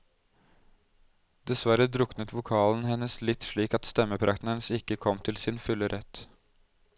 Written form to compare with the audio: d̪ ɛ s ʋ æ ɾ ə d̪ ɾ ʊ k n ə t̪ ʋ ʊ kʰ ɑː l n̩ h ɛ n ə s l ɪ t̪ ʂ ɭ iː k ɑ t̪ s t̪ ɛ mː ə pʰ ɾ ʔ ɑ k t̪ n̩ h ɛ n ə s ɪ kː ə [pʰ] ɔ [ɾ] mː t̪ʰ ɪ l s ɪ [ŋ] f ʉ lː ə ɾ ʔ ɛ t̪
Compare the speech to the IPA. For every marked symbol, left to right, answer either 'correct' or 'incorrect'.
incorrect, incorrect, incorrect

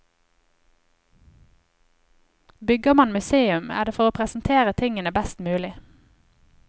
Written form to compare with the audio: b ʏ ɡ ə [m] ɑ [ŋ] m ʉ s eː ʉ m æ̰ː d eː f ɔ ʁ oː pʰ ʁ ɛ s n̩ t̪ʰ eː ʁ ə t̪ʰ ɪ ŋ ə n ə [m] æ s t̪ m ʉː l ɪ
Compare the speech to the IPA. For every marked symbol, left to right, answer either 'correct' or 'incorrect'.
correct, incorrect, incorrect

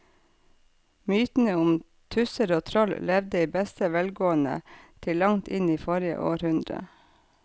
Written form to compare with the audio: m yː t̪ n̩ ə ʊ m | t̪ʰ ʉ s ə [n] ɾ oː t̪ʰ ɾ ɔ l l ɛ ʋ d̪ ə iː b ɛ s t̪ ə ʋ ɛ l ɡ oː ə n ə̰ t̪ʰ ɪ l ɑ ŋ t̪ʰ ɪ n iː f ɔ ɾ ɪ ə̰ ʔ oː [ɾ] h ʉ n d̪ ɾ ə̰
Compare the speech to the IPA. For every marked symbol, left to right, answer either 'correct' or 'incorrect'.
incorrect, correct

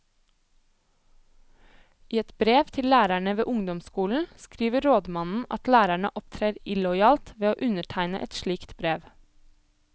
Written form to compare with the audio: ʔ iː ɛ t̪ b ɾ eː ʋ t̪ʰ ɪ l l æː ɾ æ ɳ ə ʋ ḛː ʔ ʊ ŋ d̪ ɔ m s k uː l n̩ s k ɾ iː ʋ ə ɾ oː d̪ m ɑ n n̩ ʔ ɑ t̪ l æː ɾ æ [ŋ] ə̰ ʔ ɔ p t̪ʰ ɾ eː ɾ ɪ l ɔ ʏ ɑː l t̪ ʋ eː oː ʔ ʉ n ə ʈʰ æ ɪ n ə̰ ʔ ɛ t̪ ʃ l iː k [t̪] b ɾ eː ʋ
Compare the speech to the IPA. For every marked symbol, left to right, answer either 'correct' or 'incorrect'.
incorrect, correct

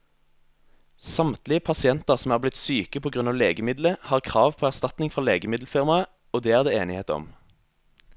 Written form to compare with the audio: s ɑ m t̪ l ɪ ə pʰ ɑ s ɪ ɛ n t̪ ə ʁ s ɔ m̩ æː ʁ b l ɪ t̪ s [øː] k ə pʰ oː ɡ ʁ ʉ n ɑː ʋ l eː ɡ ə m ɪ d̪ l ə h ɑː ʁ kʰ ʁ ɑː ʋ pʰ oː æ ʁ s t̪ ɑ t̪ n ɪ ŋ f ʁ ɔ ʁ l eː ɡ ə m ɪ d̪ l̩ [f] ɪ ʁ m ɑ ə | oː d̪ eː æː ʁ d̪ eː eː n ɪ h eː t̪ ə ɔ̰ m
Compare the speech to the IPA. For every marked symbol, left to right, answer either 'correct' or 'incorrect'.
incorrect, correct

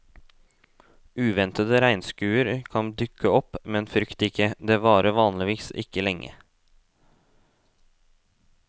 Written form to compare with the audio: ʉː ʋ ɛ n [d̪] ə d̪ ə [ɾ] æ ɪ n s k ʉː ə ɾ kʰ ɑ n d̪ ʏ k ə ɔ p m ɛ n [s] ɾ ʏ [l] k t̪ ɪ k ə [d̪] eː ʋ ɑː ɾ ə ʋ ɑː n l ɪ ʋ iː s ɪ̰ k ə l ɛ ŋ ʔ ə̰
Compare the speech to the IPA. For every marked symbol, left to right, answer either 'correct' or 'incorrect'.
incorrect, correct, incorrect, incorrect, correct

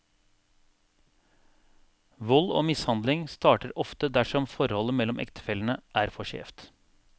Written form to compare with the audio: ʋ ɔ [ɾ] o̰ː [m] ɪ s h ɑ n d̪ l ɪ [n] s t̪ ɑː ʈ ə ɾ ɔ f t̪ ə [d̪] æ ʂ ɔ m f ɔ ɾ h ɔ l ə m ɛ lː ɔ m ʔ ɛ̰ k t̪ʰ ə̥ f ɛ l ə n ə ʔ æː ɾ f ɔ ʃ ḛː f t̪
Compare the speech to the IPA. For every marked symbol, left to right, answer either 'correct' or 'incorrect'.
incorrect, correct, incorrect, correct

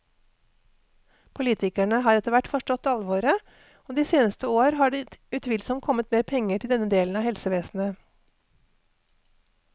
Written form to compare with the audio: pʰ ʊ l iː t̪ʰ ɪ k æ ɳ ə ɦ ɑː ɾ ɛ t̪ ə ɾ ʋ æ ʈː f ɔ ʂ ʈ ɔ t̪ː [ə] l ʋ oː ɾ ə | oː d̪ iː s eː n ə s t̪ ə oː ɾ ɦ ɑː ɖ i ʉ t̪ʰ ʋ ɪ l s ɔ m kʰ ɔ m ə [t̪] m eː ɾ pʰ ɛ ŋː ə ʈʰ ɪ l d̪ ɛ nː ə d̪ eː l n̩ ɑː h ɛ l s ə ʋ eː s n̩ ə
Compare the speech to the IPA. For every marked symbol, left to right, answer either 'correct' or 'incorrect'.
incorrect, correct

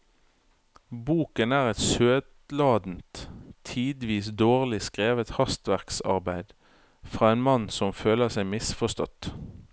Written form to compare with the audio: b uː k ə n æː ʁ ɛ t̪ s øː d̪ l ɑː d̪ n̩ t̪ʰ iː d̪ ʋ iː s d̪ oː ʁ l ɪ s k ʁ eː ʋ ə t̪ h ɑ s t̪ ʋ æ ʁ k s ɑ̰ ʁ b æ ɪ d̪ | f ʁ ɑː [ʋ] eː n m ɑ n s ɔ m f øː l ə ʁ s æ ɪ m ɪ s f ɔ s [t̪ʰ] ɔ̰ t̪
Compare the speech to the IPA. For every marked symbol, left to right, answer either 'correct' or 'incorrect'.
incorrect, incorrect

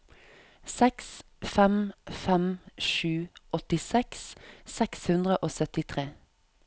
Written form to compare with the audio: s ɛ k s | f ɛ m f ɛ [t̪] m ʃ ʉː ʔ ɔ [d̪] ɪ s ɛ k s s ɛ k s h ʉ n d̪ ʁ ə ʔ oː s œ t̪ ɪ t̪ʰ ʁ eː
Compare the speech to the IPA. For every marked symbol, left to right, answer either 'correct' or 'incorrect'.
incorrect, incorrect

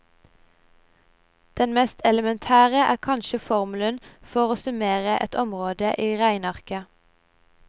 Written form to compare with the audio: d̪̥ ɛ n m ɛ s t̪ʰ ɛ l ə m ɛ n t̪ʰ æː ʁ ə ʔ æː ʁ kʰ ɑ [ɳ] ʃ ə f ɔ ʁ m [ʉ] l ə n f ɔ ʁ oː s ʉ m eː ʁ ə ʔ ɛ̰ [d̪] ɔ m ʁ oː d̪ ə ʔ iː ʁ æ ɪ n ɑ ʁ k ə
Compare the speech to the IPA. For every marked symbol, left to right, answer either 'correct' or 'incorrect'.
incorrect, correct, incorrect

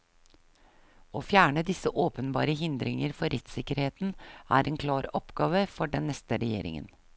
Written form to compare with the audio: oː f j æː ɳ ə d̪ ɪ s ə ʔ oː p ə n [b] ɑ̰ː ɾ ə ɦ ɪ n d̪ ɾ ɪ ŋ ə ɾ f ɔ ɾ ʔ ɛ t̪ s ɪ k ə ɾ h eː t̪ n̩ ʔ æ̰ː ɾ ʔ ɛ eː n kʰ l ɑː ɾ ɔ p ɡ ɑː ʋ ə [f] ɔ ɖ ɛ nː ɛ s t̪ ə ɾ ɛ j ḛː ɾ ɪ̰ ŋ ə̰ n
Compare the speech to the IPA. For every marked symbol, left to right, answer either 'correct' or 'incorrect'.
correct, correct

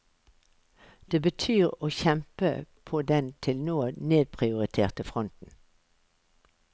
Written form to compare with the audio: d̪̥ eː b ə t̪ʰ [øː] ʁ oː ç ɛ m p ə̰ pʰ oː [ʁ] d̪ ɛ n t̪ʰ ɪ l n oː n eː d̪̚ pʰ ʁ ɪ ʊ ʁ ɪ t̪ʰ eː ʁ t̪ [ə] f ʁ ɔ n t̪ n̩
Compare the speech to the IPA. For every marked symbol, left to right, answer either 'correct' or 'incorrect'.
incorrect, incorrect, correct

